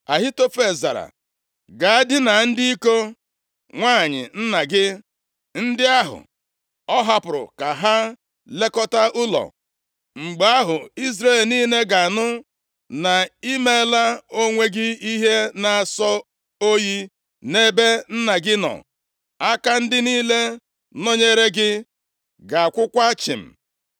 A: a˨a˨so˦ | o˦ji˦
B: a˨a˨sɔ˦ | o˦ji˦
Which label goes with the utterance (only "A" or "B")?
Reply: B